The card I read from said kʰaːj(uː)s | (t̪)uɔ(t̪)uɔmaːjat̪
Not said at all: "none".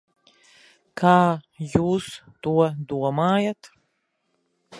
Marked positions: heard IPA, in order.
uː, t̪, d̪

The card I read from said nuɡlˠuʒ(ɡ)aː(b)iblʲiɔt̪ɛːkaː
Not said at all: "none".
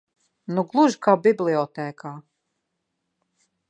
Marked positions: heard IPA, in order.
k, b

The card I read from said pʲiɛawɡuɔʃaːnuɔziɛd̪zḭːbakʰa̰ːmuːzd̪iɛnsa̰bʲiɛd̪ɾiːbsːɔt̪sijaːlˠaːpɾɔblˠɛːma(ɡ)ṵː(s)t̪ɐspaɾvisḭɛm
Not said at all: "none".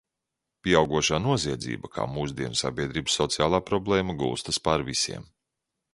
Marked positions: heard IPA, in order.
ɡ, s

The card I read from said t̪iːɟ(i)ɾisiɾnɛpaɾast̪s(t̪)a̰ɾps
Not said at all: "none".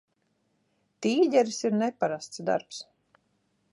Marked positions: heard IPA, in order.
ɛ, d̪

